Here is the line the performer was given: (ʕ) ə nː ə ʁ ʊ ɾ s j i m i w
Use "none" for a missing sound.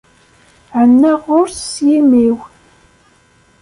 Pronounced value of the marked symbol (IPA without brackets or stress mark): ʕ